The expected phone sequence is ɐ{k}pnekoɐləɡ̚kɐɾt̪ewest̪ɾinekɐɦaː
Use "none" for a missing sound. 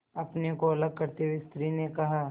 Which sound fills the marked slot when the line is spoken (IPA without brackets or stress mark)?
none